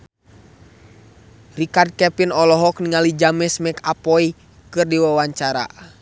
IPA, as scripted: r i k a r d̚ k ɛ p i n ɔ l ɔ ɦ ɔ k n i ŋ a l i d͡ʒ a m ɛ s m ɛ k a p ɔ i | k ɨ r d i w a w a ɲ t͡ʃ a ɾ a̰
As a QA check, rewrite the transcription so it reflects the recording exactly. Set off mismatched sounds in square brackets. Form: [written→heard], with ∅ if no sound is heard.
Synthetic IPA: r i k a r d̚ k ɛ p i n ɔ l ɔ ɦ ɔ k n i ŋ a l i d͡ʒ a m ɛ s m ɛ k a p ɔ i | k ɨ r d i w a w a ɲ t͡ʃ a ɾ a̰